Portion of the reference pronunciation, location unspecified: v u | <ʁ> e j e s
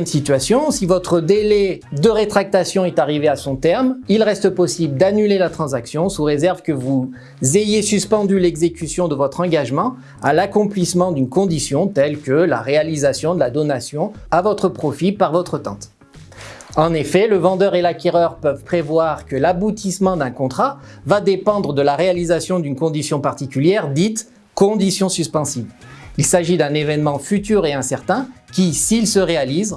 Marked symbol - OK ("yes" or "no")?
no